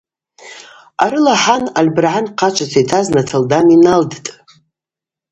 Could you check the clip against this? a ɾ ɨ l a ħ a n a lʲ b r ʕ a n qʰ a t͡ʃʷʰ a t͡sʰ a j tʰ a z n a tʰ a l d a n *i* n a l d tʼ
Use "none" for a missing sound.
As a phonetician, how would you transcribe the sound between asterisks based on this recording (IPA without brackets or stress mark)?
i